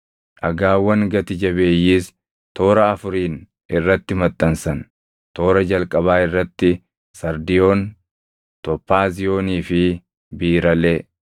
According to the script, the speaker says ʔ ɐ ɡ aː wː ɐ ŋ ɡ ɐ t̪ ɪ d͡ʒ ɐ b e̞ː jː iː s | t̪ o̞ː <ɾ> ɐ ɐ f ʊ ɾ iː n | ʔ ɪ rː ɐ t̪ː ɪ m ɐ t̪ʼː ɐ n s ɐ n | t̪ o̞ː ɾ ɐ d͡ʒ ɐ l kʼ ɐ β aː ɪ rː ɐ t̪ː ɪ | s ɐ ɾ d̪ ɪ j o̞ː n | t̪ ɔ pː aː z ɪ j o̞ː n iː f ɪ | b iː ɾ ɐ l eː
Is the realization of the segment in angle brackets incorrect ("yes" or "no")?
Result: no